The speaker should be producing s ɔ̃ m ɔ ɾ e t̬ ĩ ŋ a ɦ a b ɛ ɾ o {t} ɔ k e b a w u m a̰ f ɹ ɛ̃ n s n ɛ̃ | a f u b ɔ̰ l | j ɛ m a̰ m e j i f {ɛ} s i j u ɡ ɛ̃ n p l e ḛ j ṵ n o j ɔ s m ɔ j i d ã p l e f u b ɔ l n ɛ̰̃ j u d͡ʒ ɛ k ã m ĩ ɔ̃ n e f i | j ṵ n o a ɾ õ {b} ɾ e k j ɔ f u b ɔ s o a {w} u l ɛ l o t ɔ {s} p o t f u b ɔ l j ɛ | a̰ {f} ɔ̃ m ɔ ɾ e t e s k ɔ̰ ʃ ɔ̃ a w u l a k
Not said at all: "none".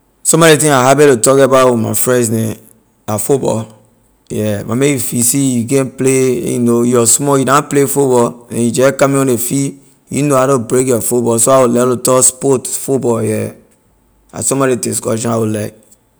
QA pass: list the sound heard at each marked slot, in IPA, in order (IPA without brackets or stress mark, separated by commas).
t, i, b, w, s, s